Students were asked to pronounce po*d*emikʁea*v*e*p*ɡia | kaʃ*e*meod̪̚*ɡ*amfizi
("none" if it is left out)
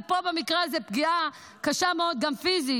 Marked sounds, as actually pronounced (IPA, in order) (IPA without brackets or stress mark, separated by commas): b, z, p, a, ɡ